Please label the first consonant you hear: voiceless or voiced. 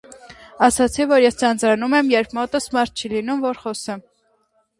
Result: voiceless